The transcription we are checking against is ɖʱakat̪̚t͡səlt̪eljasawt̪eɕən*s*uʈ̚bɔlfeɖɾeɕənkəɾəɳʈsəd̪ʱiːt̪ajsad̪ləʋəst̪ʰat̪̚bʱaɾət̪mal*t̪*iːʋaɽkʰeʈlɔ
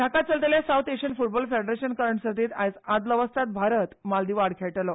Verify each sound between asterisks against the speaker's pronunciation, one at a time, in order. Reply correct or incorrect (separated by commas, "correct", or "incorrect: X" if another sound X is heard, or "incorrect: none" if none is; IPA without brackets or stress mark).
incorrect: f, incorrect: d̪